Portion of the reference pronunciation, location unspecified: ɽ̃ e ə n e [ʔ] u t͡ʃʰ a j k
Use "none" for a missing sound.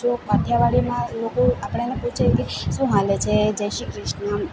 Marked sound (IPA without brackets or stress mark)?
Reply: p